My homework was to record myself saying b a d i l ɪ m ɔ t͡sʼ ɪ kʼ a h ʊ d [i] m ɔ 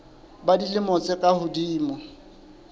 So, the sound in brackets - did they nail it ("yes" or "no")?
no